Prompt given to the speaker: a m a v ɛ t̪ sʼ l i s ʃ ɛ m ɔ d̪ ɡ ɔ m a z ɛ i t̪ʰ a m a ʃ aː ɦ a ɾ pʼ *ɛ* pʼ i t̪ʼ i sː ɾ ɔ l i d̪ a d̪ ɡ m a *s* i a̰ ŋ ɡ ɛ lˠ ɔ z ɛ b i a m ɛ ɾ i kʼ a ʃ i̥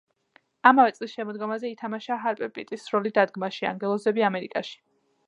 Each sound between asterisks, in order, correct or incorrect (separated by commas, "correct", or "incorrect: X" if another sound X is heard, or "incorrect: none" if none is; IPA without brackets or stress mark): correct, incorrect: ʃ